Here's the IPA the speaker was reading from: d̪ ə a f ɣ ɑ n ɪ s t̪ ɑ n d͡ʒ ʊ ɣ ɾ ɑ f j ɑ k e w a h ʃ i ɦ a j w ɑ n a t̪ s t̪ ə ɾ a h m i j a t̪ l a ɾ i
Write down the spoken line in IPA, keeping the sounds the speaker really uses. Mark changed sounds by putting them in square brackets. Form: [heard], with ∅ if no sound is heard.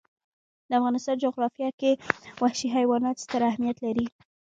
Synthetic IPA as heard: d̪ ə a f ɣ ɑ n ɪ s t̪ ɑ n d͡ʒ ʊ ɣ ɾ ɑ f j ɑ k e w a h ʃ i ɦ a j w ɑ n [ɑ] t̪ s t̪ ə ɾ a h m i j a t̪ l a ɾ i